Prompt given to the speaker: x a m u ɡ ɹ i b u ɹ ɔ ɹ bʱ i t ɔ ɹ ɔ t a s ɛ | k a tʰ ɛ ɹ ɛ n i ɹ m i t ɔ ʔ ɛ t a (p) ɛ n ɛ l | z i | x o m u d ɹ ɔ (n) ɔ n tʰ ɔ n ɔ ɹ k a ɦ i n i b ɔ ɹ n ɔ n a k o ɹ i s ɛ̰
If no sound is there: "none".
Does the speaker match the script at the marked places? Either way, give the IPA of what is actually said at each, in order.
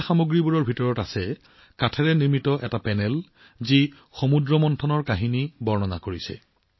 p, m

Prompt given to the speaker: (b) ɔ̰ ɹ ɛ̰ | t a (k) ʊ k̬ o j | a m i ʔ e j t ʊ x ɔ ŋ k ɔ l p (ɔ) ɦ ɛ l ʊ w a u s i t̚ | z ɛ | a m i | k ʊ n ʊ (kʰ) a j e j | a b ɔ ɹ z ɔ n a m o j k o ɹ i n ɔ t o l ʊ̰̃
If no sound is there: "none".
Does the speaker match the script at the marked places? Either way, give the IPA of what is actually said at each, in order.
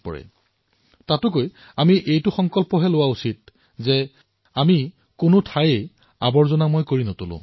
p, t, ɔ, tʰ

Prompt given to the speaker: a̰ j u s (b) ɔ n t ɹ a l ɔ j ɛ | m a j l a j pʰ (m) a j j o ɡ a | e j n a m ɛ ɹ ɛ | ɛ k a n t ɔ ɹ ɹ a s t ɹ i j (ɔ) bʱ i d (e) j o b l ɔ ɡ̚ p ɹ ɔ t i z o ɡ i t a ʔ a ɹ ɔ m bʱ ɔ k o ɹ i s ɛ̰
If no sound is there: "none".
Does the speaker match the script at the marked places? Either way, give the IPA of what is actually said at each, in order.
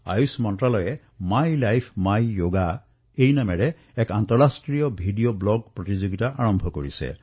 m, m, ɔ, i

